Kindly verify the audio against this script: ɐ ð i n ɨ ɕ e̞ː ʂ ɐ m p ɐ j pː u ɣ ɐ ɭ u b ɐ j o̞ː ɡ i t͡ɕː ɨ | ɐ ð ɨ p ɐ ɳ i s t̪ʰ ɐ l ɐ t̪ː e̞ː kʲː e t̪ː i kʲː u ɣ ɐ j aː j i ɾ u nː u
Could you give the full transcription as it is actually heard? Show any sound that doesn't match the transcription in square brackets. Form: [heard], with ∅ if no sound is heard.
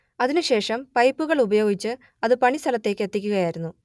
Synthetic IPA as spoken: ɐ ð i n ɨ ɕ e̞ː ʂ ɐ m p ɐ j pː u ɣ ɐ ɭ u b ɐ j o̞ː ɡ i t͡ɕː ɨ | ɐ ð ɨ p ɐ ɳ i s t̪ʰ ɐ l ɐ t̪ː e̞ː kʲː e t̪ː i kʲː u ɣ ɐ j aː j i ɾ u nː u

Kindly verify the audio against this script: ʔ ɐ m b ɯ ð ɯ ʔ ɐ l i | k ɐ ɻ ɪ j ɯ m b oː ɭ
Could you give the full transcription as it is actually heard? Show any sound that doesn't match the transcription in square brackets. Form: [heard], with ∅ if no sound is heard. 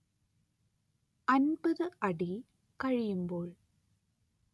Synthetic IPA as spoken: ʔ ɐ [n] b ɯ ð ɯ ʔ ɐ [ɽ] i | k ɐ ɻ ɪ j ɯ m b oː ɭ

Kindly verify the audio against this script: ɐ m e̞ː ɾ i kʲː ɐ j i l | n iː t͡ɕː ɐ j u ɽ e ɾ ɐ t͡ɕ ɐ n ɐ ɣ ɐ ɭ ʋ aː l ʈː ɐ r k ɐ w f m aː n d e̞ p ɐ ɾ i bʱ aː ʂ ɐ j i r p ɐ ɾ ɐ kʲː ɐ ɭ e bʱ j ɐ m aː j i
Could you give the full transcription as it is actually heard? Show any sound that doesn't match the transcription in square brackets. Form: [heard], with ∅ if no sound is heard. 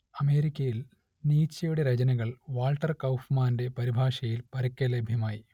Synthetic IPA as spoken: ɐ m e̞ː ɾ i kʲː ɐ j i l | n iː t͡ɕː ɐ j u ɽ e ɾ ɐ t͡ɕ ɐ n ɐ ɣ ɐ ɭ ʋ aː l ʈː ɐ r k ɐ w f m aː n d e̞ p ɐ ɾ i bʱ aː ʂ ɐ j i [l] p ɐ ɾ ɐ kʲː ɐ [l] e bʱ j ɐ m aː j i

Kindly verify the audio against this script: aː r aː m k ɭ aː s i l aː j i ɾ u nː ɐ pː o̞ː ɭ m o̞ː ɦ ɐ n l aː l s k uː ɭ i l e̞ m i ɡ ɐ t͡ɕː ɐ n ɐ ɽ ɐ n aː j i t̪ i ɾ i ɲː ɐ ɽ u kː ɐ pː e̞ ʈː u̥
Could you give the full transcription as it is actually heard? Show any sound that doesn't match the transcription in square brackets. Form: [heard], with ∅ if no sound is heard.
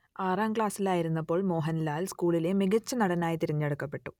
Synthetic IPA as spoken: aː r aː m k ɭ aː s i l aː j i ɾ u nː ɐ pː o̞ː ɭ m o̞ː ɦ ɐ n l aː l s k uː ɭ i l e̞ m i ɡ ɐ t͡ɕː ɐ n ɐ ɽ ɐ n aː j i t̪ i ɾ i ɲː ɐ ɽ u kː ɐ pː e̞ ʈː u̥

